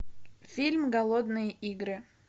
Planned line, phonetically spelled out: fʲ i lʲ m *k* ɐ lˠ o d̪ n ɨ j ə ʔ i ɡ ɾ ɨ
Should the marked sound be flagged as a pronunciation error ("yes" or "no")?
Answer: yes